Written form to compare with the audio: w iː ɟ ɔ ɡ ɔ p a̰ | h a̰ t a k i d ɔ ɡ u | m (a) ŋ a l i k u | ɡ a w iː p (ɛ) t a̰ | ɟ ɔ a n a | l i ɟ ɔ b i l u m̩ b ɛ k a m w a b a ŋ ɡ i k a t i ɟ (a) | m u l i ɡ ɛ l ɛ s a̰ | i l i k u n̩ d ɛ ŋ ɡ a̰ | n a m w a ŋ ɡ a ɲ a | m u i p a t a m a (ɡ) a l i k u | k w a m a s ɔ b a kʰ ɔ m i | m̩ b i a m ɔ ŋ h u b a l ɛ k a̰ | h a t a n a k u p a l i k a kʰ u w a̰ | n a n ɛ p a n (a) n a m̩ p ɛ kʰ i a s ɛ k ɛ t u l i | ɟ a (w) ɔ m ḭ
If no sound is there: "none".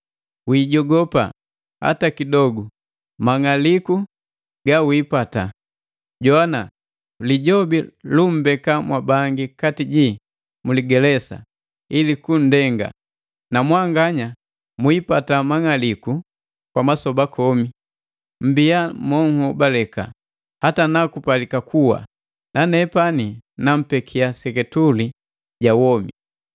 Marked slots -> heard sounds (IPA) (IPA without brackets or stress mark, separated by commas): a, a, i, ŋ, i, w